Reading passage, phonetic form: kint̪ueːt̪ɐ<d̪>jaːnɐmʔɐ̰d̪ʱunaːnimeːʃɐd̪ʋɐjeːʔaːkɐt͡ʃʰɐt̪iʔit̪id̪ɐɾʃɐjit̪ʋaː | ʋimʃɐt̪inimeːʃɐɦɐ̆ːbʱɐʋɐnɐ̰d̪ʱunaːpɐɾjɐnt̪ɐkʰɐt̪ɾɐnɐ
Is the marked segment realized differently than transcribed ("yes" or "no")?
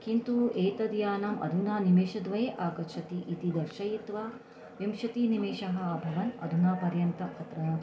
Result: no